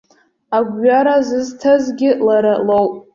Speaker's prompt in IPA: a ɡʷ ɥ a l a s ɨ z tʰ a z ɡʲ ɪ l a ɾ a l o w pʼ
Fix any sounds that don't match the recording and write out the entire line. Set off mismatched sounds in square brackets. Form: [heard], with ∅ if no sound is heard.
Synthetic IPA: a ɡʷ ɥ a [ɾ] a [z] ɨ z tʰ a z ɡʲ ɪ l a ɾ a l o w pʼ